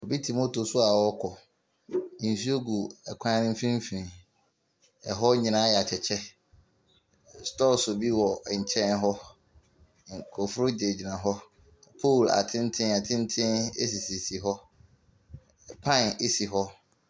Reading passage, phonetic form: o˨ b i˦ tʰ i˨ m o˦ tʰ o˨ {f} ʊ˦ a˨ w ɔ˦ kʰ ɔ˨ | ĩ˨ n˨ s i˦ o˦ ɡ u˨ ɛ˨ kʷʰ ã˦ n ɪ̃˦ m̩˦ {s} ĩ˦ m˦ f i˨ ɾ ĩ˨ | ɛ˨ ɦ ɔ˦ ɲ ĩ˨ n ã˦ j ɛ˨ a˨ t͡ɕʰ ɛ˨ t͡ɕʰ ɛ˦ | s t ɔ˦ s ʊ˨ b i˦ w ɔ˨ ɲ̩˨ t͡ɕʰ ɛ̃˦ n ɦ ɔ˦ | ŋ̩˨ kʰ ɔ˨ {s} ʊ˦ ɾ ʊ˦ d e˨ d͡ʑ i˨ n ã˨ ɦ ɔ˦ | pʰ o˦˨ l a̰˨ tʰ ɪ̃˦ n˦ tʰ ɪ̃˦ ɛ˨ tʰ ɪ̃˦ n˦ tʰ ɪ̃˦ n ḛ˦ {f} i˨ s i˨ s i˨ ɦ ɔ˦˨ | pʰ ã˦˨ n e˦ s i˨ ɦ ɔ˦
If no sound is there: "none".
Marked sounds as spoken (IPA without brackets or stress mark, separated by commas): s, f, f, s